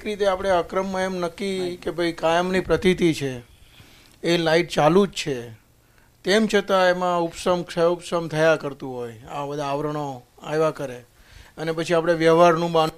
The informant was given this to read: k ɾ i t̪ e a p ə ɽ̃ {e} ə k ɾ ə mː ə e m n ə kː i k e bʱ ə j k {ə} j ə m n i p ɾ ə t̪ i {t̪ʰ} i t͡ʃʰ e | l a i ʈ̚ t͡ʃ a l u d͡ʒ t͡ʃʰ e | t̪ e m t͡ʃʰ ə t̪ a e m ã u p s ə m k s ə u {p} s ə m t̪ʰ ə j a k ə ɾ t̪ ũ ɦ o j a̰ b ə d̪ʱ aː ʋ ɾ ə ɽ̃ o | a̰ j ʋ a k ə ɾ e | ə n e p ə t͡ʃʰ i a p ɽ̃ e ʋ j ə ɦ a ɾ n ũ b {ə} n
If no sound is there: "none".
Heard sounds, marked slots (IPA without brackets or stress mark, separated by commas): e, a, t̪, p, a